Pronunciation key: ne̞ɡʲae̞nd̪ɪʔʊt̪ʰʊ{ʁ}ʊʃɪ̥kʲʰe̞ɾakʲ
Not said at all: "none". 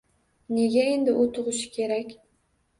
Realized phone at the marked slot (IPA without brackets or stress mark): ʁ